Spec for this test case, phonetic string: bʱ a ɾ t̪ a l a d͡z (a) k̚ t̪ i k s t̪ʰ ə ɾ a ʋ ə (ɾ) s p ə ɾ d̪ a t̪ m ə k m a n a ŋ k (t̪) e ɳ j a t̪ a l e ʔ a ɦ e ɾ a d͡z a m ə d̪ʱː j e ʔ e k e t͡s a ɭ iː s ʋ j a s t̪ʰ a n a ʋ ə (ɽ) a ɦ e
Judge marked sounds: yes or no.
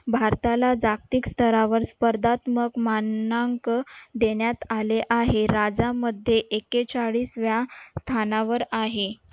yes, yes, no, no

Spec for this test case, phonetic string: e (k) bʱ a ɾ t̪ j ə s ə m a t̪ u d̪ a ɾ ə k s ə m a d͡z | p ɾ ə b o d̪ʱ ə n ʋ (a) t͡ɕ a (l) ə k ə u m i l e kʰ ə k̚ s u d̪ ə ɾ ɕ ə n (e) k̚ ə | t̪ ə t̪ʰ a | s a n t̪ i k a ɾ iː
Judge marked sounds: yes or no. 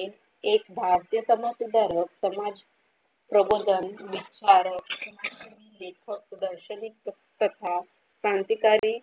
yes, no, no, no

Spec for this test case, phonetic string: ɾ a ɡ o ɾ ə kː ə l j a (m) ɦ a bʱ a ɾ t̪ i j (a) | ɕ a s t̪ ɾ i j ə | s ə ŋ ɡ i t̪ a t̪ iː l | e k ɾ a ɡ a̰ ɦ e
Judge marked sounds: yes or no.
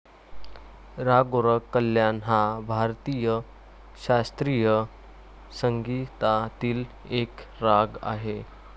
no, no

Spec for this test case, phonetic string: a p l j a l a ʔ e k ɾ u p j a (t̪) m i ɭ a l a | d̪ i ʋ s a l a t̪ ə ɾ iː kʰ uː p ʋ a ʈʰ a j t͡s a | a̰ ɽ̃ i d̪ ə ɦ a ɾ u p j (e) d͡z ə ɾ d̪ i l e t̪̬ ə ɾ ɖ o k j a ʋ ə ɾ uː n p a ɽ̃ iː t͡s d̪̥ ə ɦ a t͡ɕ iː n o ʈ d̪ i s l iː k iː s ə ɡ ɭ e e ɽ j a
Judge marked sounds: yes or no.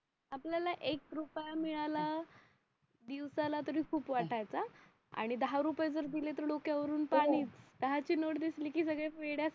no, no

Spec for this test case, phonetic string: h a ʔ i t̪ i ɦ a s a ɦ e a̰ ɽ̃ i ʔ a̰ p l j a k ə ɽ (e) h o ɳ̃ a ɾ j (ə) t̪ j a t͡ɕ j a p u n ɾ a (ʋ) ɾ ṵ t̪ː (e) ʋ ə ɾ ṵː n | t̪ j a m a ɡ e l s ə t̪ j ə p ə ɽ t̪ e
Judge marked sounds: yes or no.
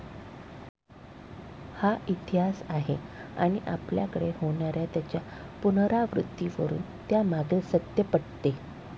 yes, no, yes, no

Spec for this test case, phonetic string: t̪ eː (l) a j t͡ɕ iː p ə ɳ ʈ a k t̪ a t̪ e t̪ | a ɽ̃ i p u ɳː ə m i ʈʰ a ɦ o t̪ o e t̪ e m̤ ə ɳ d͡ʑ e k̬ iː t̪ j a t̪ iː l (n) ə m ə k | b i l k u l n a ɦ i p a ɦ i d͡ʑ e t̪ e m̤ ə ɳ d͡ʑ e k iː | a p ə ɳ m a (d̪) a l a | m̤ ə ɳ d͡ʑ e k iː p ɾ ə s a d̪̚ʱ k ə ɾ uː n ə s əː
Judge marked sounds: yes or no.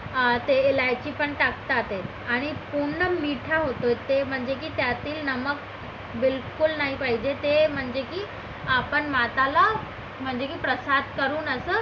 yes, yes, no

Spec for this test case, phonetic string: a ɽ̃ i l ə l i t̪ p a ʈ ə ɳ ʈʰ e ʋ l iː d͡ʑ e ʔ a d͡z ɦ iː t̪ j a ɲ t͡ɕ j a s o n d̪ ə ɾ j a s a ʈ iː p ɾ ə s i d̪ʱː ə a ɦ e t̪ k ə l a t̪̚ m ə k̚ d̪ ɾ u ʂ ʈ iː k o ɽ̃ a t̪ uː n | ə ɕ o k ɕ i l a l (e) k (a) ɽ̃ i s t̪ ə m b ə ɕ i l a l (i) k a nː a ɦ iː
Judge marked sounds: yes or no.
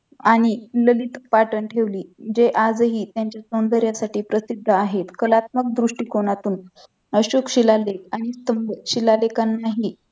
yes, yes, no

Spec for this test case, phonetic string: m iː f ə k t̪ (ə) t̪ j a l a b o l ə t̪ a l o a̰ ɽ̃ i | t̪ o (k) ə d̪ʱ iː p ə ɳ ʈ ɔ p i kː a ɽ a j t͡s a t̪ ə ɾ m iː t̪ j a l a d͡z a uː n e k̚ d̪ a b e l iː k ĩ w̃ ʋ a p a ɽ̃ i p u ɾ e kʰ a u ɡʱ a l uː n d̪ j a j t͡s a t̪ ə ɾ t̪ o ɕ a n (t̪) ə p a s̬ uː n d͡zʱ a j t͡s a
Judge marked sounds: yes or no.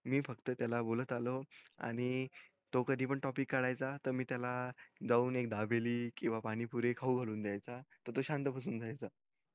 yes, yes, yes

